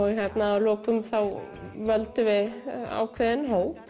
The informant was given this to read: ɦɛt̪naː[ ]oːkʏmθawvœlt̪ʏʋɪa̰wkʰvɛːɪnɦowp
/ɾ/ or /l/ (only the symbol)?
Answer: l